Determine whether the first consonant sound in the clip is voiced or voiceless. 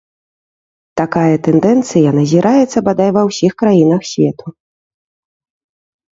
voiceless